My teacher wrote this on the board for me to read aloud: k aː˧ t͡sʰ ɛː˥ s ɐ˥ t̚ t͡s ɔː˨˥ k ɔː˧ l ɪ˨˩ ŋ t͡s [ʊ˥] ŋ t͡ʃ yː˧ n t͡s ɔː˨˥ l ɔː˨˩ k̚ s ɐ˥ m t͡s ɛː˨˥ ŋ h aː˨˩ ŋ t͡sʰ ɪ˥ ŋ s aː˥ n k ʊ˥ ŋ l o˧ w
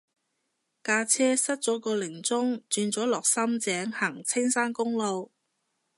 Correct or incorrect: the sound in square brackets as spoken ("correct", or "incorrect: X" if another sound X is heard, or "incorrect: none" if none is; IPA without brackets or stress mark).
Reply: correct